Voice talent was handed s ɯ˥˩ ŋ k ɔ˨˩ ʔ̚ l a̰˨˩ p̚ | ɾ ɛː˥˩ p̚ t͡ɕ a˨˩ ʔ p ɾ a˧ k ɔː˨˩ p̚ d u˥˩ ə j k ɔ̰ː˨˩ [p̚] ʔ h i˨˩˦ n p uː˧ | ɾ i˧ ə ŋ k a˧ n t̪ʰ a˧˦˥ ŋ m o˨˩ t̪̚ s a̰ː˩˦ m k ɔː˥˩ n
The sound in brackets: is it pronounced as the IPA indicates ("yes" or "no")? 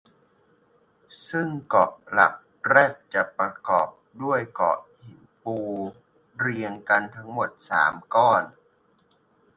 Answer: no